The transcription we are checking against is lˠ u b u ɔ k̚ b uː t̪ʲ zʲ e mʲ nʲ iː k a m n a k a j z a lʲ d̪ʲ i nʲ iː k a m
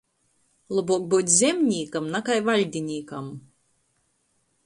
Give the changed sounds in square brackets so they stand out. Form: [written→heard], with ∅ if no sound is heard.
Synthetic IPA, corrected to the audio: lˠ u b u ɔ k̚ b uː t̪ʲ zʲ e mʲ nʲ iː k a m n a k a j [z→v] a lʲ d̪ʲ i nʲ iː k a m